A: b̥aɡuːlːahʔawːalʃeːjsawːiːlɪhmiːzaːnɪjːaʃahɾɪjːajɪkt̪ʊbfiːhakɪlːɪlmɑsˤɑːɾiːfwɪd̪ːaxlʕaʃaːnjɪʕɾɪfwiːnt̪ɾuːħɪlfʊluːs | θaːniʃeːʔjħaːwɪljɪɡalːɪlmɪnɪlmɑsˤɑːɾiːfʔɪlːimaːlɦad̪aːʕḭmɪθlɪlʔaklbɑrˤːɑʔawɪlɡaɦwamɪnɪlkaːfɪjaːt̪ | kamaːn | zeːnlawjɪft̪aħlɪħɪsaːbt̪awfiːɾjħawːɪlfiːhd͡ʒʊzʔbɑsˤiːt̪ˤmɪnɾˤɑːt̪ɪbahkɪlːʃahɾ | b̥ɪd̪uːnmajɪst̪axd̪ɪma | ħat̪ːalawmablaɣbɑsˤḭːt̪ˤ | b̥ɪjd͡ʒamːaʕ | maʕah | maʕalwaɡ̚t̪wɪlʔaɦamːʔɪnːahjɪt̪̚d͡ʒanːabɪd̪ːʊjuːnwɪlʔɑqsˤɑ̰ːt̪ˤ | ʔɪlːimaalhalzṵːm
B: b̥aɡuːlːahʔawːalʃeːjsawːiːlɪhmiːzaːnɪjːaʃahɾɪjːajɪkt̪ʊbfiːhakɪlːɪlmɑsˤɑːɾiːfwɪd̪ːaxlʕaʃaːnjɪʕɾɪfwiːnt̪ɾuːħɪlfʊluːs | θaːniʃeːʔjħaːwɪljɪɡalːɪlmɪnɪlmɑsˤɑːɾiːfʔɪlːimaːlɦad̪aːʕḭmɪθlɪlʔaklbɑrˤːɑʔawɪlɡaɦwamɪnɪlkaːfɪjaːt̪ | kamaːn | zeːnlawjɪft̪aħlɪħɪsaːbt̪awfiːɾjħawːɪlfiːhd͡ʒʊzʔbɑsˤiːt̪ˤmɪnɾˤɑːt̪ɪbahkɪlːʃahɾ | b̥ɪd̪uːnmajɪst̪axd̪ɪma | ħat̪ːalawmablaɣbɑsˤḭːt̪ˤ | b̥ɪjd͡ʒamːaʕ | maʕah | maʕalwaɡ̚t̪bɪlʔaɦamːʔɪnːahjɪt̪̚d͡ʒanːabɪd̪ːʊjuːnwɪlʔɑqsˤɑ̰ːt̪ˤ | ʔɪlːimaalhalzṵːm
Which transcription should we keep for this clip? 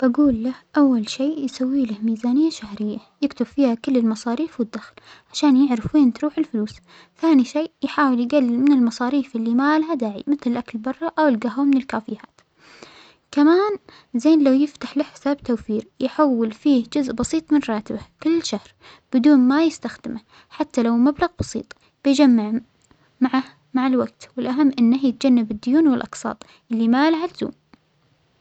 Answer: A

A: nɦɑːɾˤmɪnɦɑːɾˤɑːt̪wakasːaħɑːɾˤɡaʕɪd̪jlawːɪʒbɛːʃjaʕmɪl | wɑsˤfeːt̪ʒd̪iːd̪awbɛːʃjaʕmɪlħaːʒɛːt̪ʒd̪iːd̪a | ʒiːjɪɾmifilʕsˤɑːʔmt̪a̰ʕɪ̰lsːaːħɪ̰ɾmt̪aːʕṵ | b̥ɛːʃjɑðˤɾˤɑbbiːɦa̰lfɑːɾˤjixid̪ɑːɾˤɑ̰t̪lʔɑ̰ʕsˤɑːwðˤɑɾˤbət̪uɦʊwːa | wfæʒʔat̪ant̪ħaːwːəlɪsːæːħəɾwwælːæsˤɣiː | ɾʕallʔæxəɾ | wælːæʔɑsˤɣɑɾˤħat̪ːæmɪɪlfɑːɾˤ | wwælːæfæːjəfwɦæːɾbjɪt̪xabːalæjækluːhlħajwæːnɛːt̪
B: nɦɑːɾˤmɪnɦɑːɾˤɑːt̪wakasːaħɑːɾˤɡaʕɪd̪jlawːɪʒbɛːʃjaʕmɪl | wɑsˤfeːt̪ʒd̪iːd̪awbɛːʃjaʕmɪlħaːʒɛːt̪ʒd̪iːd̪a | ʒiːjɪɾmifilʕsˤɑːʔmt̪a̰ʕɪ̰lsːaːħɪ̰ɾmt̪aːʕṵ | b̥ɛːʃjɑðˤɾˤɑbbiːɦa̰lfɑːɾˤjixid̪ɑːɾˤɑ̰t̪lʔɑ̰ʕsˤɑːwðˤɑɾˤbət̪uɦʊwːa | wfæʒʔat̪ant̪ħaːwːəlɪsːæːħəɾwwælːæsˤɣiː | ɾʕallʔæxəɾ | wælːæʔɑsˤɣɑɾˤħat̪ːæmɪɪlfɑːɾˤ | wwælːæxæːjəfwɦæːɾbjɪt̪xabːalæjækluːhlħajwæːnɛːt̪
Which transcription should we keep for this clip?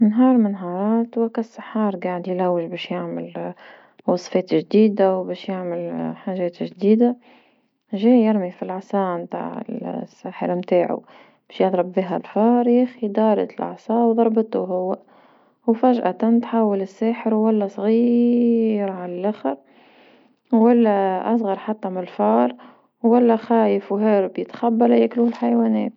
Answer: B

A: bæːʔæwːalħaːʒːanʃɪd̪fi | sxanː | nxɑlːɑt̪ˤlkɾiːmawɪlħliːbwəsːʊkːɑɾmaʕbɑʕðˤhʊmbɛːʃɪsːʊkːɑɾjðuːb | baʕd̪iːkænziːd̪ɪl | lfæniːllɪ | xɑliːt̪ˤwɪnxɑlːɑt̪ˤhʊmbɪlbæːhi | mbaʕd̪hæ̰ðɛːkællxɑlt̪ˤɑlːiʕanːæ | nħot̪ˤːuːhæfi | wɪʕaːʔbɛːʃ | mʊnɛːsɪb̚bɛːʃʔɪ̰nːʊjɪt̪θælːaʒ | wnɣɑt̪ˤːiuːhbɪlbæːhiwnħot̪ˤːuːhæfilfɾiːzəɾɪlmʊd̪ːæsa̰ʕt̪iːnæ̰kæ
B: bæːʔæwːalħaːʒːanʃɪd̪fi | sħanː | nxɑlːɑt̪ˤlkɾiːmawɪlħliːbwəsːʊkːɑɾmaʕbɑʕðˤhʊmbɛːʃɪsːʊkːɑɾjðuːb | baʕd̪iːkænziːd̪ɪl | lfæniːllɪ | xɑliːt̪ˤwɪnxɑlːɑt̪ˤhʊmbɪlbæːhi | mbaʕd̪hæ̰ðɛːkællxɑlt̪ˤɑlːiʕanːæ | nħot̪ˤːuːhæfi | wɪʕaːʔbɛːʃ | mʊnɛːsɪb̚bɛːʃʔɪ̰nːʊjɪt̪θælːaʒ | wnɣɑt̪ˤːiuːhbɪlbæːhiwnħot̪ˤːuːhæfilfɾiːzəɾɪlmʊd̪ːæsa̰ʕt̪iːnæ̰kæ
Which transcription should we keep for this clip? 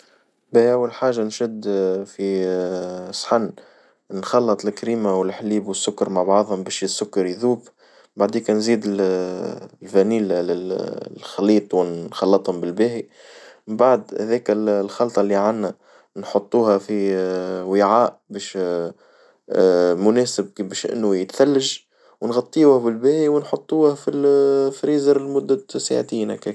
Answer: B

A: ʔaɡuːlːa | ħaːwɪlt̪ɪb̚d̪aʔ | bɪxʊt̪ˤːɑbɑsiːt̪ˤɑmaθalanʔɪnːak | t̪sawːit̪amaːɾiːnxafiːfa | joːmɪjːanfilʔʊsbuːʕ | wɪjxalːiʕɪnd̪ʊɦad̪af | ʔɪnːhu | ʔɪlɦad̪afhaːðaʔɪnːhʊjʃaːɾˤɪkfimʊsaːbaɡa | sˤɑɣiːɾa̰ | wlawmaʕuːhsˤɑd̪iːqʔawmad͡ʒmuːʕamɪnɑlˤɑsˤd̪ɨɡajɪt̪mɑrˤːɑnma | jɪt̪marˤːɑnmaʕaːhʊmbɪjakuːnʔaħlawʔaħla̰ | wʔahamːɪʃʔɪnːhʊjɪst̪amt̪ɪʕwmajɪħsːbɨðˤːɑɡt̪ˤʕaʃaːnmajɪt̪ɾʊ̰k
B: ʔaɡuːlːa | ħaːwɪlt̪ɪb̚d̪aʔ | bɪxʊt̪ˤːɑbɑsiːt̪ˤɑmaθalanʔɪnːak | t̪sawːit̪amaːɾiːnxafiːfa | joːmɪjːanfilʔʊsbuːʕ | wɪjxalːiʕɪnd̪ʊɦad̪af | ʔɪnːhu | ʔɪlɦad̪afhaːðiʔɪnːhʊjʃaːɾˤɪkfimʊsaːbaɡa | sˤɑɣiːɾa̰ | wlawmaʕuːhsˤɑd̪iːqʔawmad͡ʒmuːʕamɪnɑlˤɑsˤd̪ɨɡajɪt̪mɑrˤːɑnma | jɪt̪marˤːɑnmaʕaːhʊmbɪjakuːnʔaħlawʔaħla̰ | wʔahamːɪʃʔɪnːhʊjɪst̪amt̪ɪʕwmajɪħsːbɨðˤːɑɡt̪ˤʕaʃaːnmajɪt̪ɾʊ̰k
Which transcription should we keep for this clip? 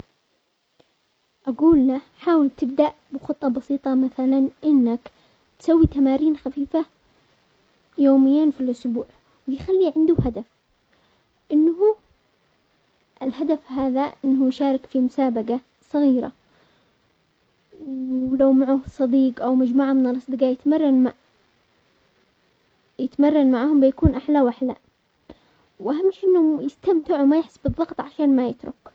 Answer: A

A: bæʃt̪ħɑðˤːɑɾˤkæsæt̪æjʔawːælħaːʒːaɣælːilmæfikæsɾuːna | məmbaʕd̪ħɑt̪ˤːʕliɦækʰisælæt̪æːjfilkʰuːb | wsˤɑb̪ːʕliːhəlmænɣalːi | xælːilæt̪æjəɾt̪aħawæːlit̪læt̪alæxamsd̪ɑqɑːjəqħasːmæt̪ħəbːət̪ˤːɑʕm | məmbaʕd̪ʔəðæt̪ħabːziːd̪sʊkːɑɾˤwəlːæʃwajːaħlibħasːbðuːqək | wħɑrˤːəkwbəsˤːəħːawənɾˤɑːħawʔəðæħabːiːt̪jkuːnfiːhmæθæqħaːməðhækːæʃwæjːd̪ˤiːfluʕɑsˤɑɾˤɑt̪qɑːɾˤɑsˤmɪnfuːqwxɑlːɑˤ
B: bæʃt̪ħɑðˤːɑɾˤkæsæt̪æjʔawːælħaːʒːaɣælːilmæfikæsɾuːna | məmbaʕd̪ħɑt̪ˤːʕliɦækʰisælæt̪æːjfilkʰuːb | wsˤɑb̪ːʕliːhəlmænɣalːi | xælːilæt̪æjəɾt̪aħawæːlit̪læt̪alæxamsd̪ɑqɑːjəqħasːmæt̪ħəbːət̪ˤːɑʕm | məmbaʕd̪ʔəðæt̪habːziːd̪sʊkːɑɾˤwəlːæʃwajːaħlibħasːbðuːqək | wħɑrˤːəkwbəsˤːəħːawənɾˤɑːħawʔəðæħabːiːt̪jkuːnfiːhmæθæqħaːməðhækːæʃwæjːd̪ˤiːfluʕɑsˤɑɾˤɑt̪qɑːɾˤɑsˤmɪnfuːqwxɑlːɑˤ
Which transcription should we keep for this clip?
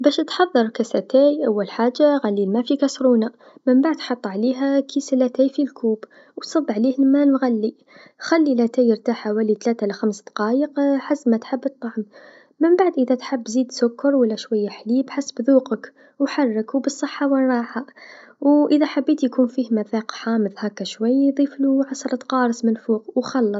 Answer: A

